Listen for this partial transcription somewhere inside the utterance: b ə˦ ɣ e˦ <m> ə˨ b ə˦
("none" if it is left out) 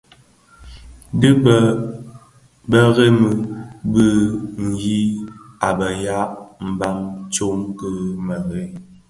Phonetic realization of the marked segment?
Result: m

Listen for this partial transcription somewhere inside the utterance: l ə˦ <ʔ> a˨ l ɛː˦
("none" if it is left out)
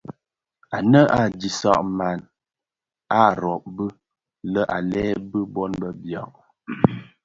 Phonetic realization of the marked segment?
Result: ʔ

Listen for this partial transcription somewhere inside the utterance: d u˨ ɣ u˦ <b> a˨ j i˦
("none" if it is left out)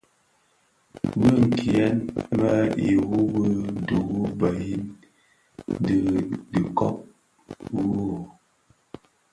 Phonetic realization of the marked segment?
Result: b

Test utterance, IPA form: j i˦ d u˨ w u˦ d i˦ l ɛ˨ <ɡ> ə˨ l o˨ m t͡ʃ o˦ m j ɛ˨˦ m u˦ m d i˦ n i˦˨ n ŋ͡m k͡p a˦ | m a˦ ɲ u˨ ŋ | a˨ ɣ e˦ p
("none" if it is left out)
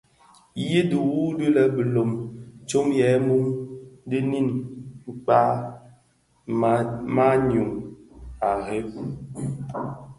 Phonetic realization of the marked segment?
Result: b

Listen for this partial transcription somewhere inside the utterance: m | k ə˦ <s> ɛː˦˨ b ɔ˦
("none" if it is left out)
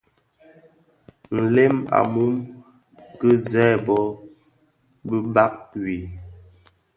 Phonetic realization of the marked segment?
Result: z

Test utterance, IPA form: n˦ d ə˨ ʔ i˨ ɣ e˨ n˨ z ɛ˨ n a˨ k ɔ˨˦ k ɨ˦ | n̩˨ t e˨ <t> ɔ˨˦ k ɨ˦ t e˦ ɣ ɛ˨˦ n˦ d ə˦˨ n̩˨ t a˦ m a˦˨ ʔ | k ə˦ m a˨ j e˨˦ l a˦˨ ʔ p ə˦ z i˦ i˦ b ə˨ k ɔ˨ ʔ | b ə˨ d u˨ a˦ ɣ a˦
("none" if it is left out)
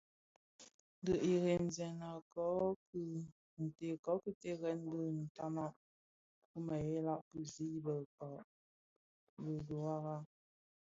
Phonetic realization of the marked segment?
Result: k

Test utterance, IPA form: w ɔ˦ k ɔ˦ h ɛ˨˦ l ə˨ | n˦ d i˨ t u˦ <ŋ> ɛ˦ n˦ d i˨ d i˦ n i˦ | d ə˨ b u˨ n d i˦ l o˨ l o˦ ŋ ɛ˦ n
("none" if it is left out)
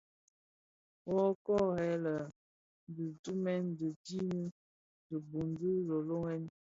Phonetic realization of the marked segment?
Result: m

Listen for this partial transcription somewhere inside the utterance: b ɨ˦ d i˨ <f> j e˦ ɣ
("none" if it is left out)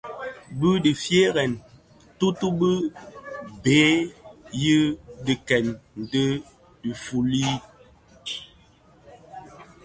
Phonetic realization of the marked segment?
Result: f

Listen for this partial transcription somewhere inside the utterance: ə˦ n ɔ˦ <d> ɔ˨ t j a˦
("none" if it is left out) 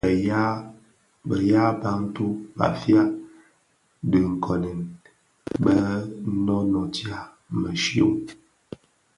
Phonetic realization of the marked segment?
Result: n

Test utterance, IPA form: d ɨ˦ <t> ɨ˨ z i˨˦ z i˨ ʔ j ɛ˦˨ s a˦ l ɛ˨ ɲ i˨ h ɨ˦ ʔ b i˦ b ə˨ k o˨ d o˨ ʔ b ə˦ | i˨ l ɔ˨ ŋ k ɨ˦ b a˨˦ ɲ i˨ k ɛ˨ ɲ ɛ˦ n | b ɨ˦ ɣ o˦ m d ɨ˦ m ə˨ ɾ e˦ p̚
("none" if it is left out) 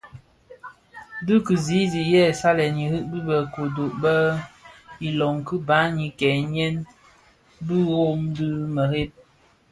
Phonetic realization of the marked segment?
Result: k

